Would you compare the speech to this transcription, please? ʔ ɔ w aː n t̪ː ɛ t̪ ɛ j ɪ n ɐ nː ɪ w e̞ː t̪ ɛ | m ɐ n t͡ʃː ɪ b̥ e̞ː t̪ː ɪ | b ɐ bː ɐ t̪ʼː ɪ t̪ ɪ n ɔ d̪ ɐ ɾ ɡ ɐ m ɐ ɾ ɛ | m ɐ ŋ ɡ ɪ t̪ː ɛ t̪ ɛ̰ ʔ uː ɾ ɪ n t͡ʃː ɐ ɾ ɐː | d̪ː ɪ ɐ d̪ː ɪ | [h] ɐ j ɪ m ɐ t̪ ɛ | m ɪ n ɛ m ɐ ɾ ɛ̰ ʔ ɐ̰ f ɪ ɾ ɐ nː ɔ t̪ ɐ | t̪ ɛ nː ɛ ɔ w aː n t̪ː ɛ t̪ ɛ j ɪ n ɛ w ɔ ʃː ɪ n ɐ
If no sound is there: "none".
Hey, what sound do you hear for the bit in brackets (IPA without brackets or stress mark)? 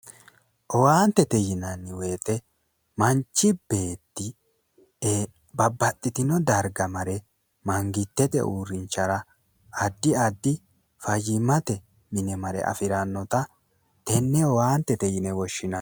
f